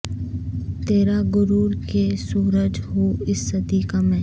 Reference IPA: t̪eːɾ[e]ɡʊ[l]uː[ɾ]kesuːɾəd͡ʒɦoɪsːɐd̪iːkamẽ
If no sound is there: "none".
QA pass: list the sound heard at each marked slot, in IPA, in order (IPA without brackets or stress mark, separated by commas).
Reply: a, ɾ, ɾ